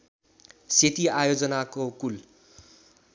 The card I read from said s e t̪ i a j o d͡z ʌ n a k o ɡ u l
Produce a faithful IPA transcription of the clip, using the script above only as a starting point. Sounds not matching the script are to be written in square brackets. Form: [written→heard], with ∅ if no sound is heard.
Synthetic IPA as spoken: s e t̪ i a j o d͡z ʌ n a k o [ɡ→k] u l